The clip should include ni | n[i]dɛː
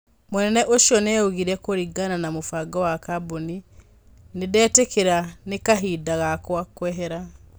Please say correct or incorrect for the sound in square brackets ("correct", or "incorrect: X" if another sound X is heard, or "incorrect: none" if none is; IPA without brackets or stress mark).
incorrect: e